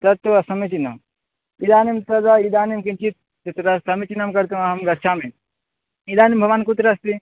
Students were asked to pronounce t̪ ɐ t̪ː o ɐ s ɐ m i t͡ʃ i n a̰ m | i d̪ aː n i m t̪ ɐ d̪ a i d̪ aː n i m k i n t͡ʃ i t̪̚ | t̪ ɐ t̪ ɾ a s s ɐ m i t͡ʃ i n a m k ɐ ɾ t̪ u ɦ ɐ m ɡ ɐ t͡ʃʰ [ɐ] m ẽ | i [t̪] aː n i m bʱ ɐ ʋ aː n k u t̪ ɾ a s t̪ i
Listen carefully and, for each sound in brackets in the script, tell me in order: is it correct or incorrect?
incorrect: a, incorrect: d̪

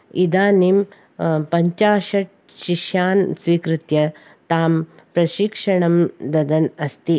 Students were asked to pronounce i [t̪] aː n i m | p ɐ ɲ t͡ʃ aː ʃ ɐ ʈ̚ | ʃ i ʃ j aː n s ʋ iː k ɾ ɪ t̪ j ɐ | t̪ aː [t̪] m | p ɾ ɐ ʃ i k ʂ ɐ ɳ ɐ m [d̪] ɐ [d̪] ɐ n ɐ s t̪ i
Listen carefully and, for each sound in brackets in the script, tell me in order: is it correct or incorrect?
incorrect: d̪, incorrect: none, correct, correct

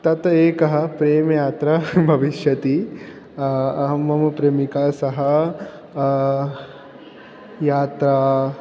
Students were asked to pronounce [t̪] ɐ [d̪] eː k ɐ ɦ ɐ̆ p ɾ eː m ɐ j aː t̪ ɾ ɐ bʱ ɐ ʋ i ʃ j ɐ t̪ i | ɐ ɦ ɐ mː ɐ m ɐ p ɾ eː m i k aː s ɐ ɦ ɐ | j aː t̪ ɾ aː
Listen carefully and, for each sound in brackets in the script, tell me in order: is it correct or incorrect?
correct, incorrect: t̪

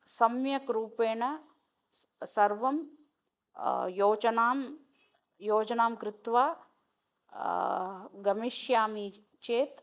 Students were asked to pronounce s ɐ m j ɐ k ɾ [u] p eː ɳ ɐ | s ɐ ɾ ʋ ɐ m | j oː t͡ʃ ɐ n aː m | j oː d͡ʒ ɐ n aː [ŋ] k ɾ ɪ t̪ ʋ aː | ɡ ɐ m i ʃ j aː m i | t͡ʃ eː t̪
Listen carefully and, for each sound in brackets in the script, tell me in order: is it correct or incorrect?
incorrect: uː, incorrect: m

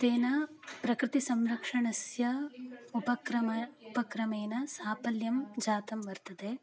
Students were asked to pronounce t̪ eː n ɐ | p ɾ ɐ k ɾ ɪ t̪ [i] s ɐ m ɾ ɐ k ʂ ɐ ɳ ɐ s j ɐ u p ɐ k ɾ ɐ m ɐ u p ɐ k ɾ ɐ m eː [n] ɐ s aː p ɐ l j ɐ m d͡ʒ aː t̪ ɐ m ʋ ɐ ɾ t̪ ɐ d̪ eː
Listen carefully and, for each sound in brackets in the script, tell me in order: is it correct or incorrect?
correct, correct

